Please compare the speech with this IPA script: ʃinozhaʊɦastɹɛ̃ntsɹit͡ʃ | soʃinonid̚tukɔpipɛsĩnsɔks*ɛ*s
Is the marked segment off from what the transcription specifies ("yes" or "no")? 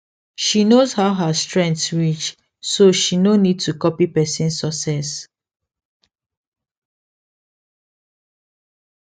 no